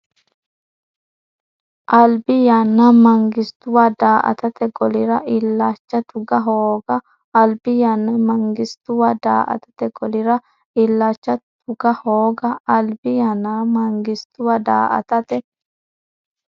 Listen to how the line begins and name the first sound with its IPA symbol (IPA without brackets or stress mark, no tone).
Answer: ʔ